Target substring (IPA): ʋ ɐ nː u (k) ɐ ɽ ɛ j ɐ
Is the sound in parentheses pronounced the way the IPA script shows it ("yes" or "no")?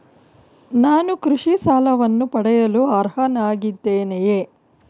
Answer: no